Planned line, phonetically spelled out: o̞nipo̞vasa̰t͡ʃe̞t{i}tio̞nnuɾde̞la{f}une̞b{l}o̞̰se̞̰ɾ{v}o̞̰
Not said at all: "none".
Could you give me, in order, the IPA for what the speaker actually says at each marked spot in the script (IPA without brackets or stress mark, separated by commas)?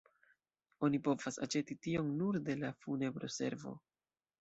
i, f, ɾ, v